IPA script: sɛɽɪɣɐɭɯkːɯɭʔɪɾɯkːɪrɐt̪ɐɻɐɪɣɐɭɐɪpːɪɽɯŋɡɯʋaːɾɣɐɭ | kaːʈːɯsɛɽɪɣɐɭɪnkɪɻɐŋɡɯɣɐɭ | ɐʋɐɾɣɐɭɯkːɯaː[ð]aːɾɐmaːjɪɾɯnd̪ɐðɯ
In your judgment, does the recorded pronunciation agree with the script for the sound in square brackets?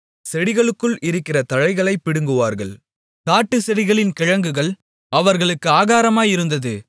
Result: no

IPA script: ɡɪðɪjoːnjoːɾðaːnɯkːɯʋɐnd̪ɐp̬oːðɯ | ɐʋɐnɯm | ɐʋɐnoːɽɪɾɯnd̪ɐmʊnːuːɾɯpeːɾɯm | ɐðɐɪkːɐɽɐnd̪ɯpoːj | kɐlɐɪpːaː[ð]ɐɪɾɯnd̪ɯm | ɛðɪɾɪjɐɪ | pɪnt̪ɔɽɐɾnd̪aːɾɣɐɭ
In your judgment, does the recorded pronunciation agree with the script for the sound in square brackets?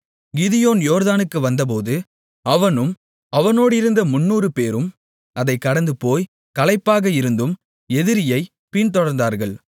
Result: no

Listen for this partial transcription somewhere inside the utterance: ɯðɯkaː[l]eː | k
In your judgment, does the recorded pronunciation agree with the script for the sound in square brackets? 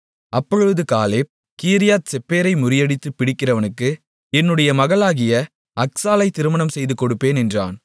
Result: yes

